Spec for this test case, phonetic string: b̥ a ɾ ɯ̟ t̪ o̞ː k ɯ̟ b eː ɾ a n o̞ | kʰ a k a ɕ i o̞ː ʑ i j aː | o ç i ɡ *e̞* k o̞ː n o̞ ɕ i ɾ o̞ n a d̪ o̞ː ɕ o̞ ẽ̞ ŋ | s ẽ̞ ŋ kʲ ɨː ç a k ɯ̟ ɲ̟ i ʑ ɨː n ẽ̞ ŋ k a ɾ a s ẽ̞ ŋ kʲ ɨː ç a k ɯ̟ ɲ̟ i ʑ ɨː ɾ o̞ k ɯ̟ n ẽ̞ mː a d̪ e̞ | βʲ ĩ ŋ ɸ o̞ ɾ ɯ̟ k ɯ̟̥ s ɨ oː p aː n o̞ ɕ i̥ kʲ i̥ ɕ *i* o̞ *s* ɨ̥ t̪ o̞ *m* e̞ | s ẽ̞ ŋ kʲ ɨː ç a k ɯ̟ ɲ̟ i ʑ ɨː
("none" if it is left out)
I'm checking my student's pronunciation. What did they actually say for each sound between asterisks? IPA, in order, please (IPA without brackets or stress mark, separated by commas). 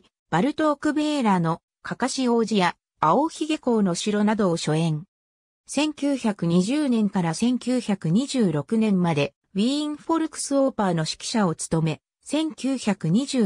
e̞, a, t͡s, m